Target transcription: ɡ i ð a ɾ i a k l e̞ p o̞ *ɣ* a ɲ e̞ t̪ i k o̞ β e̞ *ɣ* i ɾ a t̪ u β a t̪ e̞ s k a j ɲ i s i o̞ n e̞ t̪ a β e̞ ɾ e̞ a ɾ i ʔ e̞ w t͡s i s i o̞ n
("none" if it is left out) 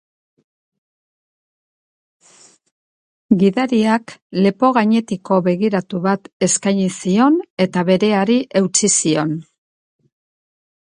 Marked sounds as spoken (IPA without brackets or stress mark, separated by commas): ɣ, ɣ